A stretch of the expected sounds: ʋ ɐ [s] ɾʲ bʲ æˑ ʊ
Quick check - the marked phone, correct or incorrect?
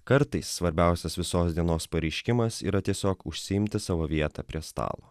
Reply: incorrect